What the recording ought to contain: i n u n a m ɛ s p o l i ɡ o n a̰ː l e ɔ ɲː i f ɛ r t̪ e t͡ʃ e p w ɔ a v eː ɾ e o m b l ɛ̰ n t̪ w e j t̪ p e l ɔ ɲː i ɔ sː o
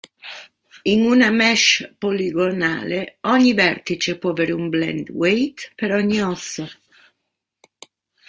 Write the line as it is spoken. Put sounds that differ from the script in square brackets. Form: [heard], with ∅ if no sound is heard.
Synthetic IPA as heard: i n u n a m ɛ [ʃ] p o l i ɡ o n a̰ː l e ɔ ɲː i [v] ɛ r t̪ [i] t͡ʃ e p w ɔ a v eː ɾ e [u] m b l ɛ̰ n [d̪] w e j t̪ p e [ɾ] ɔ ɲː i ɔ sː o